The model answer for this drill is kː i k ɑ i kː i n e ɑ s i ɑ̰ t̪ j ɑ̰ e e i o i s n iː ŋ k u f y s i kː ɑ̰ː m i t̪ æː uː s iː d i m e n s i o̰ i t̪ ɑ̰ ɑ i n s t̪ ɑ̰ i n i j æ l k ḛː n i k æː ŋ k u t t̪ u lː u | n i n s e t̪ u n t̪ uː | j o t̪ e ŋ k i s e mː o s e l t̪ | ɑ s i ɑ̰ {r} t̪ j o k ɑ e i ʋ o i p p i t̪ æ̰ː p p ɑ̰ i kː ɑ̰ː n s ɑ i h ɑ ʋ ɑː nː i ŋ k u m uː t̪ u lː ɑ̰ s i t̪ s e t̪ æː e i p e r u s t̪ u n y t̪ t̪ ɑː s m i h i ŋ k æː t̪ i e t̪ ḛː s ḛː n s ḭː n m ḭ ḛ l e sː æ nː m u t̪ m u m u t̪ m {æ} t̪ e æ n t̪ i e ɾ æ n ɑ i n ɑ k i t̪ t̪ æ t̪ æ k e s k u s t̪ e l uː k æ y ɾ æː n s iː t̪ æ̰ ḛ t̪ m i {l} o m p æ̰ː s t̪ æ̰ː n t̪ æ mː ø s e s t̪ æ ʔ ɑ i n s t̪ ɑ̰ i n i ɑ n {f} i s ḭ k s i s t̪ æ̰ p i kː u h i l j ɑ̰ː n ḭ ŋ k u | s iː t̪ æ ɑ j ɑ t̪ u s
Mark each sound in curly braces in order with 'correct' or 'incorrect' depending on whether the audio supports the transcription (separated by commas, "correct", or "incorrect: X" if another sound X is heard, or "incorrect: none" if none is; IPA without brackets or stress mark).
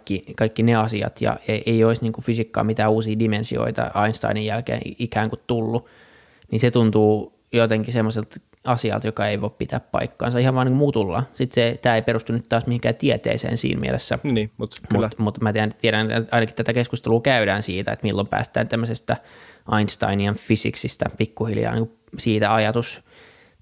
incorrect: l, correct, incorrect: lː, correct